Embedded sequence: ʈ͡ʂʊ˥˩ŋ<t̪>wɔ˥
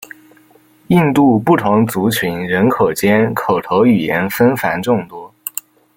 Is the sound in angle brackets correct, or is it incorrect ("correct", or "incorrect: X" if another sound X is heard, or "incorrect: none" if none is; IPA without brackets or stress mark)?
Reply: correct